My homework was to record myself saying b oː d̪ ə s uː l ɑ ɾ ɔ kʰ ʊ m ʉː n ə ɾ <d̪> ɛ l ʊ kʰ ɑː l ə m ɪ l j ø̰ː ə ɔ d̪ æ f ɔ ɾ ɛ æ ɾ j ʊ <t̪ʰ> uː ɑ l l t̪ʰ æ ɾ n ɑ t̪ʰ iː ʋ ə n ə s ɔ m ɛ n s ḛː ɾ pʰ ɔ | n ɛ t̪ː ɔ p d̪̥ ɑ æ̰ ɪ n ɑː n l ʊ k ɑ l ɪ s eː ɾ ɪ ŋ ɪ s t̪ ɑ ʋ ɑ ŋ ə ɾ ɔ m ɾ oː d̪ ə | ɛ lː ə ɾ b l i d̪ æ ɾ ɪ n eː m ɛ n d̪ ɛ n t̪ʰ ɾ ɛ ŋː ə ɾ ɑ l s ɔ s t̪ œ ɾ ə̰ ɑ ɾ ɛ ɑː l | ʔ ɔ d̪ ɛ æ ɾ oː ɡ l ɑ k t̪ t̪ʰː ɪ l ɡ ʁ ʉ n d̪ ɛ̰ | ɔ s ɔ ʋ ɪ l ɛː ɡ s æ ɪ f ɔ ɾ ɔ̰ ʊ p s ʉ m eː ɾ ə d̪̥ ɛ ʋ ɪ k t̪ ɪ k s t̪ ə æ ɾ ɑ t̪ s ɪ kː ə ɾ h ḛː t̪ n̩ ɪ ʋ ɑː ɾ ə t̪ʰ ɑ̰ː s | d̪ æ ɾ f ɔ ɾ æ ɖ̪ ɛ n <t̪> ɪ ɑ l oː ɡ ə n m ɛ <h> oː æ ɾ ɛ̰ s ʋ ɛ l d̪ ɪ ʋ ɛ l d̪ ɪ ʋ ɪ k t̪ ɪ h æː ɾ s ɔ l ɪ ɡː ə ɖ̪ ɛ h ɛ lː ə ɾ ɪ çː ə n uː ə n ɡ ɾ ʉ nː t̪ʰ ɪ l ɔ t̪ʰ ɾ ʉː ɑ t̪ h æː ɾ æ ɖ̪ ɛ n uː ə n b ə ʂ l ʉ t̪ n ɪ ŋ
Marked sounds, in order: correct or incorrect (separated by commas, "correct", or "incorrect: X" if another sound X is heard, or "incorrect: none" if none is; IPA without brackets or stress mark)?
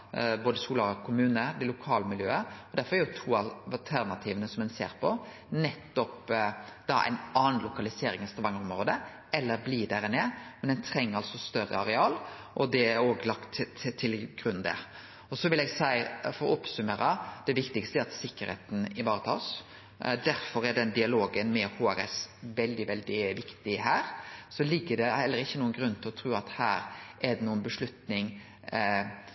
correct, correct, incorrect: d̪, correct